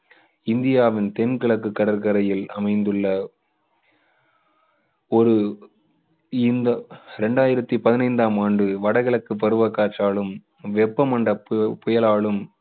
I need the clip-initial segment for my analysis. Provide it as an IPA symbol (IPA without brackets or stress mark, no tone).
ɪ